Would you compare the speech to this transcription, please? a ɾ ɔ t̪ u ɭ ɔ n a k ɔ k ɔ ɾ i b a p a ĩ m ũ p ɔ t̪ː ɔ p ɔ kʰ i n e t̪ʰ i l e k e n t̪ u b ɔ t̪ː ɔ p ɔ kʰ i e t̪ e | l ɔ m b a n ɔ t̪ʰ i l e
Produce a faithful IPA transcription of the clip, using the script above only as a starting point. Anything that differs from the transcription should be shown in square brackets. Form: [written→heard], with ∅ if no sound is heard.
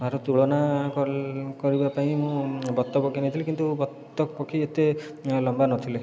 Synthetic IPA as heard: a ɾ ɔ t̪ u ɭ ɔ n a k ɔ k ɔ ɾ i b a p a ĩ m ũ [p→b] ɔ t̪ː ɔ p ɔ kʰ i n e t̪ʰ i l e k [e→i] n t̪ u b ɔ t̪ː ɔ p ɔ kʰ i e t̪ e | l ɔ m b a n ɔ t̪ʰ i l e